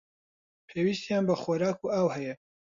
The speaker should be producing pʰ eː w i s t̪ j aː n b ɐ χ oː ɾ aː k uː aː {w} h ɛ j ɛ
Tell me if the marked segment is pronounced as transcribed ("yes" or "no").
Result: yes